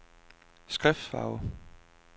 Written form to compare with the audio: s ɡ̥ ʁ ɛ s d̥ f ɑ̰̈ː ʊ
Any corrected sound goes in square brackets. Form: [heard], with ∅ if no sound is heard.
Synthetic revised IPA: s ɡ̥ ʁ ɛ [f] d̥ f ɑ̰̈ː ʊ